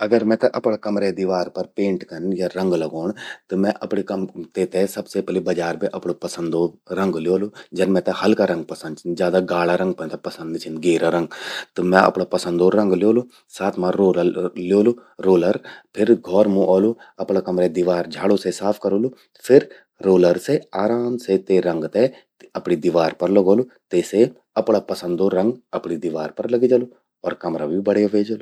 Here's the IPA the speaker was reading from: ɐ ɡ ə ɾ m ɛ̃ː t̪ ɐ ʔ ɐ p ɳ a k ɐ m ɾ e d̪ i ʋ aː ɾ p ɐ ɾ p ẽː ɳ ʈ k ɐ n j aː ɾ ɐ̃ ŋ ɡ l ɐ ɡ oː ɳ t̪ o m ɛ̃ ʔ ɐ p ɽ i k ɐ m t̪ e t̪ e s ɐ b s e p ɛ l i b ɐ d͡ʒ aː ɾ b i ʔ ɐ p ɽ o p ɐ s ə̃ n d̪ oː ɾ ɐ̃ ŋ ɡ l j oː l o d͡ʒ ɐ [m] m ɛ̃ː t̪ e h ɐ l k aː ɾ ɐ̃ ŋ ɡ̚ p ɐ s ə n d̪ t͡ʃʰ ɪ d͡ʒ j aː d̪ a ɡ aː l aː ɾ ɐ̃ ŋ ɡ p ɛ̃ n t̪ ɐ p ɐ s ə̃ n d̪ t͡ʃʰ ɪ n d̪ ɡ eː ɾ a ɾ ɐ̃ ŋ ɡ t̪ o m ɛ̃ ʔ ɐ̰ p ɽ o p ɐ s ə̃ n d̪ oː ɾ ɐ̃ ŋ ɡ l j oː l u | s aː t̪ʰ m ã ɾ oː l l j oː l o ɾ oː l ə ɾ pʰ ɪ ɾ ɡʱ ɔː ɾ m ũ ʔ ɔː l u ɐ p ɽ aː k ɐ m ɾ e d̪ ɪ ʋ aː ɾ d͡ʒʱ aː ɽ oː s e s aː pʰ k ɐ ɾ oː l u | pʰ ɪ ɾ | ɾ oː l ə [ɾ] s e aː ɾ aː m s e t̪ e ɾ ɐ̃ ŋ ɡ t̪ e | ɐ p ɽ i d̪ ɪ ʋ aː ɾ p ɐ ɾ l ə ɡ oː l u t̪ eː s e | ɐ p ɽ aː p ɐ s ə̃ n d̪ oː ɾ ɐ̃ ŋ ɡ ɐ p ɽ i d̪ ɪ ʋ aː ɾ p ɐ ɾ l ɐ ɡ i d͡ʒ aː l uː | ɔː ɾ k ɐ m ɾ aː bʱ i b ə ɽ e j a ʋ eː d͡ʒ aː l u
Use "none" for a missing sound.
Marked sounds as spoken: n, ɾ

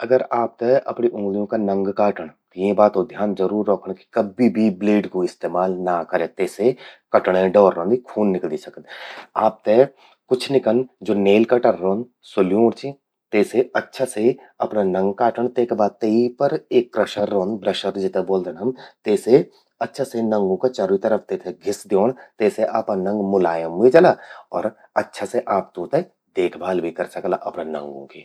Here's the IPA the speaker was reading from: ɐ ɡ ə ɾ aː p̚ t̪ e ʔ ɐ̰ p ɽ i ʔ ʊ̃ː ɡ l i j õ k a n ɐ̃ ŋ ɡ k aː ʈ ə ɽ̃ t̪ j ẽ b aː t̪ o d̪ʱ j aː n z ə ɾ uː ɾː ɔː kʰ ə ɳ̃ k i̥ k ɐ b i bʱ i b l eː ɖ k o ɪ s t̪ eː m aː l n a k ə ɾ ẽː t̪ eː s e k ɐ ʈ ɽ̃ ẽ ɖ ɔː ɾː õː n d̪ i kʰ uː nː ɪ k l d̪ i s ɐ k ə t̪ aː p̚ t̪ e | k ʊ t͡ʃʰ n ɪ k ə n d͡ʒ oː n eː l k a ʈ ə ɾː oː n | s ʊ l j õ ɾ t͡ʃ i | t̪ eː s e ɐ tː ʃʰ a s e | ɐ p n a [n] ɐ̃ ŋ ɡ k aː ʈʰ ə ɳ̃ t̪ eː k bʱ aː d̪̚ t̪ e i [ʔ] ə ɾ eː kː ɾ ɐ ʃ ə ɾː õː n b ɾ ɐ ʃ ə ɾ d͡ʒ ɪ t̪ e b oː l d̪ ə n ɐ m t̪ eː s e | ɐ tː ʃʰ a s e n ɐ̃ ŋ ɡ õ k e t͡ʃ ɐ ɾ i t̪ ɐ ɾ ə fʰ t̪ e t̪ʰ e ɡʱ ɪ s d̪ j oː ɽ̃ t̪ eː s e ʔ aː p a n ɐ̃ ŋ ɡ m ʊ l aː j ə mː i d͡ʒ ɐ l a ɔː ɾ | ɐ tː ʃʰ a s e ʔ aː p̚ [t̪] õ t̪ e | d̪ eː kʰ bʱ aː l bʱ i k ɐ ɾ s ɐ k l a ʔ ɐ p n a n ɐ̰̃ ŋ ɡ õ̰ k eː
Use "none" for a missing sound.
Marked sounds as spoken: n, p, t̪

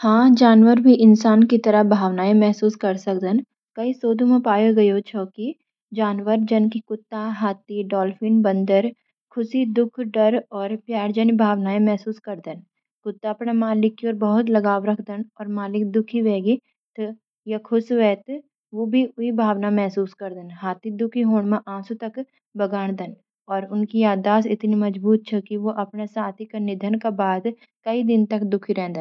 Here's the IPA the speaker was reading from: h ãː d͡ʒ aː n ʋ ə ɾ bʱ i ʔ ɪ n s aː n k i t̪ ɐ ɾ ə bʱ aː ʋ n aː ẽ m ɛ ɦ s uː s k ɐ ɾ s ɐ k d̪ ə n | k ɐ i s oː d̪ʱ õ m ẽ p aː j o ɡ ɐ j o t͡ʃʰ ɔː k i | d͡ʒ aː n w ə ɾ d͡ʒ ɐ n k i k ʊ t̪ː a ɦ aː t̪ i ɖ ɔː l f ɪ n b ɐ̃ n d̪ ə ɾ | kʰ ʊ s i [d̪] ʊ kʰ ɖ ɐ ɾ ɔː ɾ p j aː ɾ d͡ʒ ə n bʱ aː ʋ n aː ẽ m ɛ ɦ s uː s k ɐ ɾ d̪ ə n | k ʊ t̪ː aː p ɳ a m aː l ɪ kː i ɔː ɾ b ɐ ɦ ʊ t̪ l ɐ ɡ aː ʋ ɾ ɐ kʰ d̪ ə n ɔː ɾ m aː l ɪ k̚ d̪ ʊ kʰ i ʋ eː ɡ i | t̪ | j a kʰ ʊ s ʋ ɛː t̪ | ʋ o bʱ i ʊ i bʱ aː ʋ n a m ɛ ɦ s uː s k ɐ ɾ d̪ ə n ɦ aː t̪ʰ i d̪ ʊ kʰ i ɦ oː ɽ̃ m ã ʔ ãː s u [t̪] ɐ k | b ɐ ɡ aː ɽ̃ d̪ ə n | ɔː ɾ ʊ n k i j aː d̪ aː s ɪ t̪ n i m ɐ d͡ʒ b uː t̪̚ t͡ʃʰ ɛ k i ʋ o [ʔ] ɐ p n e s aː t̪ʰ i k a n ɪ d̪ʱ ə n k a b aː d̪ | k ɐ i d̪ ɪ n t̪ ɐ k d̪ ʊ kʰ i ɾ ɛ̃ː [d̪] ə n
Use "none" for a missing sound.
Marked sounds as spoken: d̪, t̪, ʔ, d̪

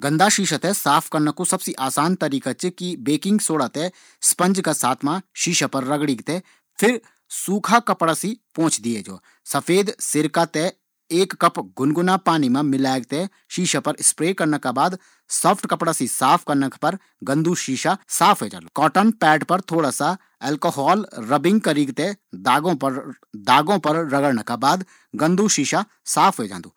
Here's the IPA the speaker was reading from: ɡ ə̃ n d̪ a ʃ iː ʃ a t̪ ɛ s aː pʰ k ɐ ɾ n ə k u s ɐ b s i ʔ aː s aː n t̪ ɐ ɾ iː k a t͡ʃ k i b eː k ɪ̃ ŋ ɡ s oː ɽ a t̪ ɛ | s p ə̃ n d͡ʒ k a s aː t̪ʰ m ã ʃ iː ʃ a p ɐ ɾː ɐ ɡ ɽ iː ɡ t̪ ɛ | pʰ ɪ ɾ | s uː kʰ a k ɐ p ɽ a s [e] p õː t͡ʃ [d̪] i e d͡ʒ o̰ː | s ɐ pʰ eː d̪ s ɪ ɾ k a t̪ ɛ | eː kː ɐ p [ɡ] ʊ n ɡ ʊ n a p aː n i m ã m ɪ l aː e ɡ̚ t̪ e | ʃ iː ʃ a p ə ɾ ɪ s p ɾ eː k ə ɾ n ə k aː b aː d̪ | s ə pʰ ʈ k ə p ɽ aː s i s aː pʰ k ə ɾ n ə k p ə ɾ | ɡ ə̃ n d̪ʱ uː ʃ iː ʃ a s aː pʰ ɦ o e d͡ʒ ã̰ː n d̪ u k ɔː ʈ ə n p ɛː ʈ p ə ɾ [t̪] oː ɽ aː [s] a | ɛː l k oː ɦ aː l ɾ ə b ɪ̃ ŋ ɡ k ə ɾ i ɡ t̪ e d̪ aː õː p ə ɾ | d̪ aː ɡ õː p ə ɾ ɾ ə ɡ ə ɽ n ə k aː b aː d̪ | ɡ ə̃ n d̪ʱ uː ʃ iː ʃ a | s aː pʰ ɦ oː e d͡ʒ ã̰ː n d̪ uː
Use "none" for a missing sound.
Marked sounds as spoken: i, d̪, ɡ, t̪ʰ, s

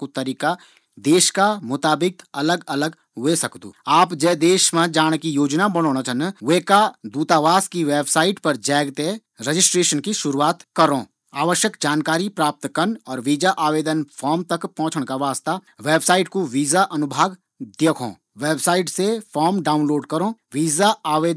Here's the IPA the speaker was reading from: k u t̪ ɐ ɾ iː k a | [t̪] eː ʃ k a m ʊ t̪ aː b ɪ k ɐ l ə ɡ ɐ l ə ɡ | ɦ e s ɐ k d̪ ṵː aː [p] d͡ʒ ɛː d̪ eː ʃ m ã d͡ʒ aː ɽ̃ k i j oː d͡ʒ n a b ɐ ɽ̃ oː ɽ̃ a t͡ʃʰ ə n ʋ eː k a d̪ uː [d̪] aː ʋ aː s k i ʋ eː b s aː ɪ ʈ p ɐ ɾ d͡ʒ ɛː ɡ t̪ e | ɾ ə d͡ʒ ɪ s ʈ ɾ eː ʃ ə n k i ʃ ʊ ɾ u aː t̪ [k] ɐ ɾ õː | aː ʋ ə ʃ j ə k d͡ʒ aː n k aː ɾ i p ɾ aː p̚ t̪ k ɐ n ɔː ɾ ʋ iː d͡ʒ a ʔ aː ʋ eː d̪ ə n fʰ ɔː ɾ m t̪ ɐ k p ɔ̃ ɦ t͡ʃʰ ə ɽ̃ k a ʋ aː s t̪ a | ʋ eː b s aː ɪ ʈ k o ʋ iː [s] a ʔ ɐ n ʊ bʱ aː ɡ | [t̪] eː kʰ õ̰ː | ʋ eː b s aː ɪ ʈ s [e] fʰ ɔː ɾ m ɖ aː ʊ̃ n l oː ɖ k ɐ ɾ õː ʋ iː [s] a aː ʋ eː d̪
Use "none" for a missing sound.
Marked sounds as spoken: d̪, p, t̪, k, z, d̪, e, z

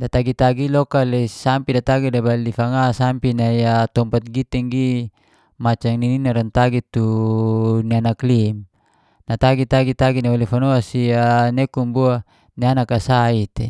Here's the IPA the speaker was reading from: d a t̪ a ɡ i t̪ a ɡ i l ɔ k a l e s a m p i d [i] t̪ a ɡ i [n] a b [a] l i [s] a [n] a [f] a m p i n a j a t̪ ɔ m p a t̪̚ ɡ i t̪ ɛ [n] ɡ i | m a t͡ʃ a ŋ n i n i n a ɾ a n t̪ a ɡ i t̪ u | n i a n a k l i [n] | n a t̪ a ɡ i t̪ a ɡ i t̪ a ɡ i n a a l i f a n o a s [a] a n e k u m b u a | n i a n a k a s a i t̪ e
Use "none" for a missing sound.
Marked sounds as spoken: a, d, a, f, ŋ, s, ŋ, m, i

